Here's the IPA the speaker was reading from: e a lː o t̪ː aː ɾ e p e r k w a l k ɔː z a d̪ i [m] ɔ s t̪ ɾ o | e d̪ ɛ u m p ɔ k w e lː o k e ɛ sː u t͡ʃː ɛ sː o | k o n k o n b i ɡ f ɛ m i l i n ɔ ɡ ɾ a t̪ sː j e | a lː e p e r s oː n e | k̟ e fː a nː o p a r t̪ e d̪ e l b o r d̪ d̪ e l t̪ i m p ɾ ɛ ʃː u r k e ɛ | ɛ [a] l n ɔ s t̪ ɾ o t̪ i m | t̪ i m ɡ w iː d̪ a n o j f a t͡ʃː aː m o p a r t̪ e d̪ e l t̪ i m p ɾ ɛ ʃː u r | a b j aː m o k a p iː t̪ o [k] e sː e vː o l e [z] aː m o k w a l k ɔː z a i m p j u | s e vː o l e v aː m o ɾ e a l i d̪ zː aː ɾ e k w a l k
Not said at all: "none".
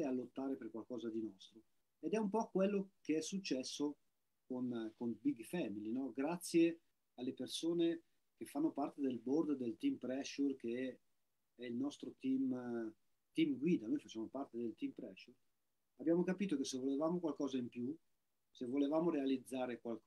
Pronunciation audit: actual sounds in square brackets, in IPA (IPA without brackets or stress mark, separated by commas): n, i, k, v